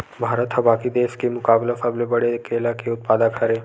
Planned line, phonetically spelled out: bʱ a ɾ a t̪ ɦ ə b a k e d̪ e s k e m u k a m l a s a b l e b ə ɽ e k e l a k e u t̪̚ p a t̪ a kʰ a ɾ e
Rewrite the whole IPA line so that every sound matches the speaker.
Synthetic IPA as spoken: bʱ a ɾ ə t̪ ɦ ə b a k i d̪ e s k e m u k a b l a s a b l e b ə ɽ e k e l a k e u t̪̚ p a d̪ a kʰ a ɾ e